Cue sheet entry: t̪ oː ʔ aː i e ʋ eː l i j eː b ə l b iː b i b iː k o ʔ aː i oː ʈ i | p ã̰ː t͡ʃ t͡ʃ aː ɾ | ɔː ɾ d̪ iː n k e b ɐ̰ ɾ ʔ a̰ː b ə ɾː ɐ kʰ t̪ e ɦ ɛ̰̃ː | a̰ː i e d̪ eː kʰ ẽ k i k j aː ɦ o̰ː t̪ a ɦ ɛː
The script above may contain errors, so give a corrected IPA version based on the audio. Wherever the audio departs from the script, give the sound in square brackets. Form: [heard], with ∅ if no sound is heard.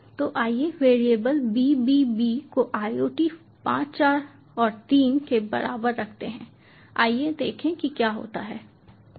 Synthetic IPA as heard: t̪ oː ʔ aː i e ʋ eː [ɾ] i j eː b ə l b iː b i b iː k o ʔ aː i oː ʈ i | p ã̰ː t͡ʃ t͡ʃ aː ɾ | ɔː ɾ [t̪] iː n k e b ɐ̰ ɾ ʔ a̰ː b ə ɾː ɐ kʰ t̪ e ɦ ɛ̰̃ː | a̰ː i e d̪ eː kʰ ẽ k i k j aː ɦ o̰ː t̪ a ɦ ɛː